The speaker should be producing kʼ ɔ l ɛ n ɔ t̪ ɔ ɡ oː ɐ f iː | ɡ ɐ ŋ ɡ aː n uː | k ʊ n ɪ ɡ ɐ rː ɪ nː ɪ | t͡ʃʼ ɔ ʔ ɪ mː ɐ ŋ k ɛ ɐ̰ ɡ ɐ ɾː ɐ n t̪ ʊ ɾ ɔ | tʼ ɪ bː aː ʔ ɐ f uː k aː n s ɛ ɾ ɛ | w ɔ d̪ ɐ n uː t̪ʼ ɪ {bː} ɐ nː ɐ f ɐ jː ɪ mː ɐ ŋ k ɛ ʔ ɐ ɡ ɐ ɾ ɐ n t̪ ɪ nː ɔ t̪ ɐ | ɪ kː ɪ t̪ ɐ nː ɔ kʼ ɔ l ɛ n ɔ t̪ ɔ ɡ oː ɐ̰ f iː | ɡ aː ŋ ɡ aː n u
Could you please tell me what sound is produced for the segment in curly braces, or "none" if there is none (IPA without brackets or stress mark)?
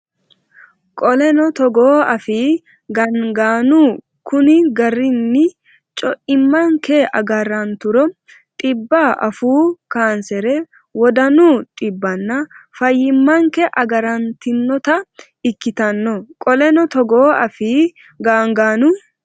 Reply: bː